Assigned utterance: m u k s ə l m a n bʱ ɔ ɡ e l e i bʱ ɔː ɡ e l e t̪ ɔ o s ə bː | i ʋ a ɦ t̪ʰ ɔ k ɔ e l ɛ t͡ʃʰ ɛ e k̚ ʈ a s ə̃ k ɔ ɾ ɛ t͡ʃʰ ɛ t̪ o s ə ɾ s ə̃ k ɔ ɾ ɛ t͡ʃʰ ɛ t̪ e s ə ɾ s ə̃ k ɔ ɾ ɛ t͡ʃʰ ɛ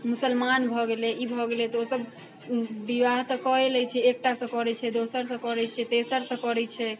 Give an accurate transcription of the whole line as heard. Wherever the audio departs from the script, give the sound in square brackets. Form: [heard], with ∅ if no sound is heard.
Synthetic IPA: m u [∅] s ə l m a n bʱ ɔ ɡ e l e i bʱ [ɔ] ɡ e l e t̪ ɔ o s ə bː | i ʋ a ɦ [t̪] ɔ k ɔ e l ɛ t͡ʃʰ ɛ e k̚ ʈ a s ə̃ k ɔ ɾ ɛ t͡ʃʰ ɛ [d̪] o s ə ɾ s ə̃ k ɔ ɾ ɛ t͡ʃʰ ɛ t̪ e s ə ɾ s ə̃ k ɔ ɾ ɛ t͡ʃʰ ɛ